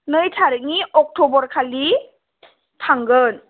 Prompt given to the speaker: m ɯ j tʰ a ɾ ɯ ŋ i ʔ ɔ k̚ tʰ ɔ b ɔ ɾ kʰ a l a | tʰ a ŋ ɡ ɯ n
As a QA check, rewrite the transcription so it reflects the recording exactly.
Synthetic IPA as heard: n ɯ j tʰ a ɾ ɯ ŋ i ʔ ɔ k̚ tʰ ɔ b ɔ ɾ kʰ a l i | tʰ a ŋ ɡ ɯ n